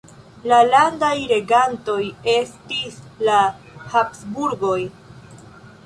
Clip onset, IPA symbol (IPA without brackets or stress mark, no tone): l